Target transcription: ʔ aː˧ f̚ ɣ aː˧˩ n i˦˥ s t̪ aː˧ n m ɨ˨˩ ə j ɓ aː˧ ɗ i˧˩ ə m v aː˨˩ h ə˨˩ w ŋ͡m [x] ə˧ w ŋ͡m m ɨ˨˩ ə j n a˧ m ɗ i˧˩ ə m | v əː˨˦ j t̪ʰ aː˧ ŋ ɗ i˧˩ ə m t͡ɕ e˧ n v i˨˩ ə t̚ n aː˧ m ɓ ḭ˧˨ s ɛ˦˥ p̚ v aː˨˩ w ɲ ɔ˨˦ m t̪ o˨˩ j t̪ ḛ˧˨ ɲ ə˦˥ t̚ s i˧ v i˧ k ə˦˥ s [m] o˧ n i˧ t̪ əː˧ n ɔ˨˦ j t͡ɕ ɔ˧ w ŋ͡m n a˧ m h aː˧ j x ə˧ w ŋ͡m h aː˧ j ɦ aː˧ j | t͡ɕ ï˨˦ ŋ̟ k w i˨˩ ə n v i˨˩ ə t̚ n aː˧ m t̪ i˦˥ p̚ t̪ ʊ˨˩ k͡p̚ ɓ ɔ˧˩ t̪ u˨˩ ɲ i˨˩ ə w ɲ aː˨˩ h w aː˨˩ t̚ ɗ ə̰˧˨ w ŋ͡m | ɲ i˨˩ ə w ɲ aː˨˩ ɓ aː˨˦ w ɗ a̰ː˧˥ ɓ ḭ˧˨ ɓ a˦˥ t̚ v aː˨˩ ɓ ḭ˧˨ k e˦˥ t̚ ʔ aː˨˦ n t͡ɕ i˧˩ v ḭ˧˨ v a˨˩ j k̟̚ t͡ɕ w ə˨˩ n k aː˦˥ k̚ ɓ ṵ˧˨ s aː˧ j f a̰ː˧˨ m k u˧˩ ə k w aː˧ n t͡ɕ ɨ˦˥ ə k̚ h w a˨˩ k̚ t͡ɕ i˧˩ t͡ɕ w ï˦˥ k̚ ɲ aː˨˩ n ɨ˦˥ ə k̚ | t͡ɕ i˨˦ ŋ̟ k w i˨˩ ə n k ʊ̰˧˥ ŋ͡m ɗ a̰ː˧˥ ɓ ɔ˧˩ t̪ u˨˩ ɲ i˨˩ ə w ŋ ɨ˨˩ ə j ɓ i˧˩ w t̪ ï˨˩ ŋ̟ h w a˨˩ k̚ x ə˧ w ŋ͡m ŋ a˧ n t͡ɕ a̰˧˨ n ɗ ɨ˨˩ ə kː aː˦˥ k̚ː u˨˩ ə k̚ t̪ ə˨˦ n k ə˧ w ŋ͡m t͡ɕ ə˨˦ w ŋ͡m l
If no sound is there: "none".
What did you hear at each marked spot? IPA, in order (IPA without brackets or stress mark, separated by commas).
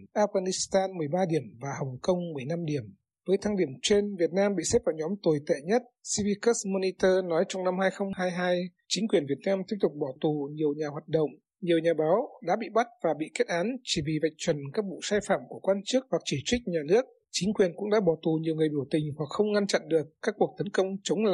k, m